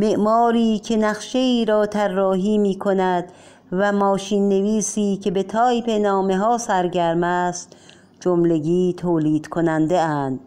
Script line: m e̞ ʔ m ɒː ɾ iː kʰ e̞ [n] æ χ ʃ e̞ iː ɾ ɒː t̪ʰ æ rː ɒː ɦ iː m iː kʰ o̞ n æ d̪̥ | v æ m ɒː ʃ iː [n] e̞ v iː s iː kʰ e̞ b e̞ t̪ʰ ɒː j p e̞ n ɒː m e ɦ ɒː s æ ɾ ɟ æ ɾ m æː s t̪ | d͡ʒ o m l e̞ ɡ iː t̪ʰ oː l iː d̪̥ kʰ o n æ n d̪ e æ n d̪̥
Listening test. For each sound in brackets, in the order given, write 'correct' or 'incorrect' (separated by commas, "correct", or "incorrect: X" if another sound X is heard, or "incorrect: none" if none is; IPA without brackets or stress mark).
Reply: correct, incorrect: nː